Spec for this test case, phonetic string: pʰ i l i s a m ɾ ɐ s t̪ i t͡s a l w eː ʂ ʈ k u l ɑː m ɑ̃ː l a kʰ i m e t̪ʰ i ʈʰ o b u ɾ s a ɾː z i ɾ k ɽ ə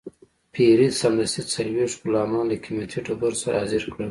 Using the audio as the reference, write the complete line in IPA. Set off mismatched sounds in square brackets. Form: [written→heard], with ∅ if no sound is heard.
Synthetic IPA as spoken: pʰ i [l→ɾ] i s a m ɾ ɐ s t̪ i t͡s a l w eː ʂ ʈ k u l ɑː m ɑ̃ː l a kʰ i m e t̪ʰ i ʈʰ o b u ɾ s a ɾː z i ɾ k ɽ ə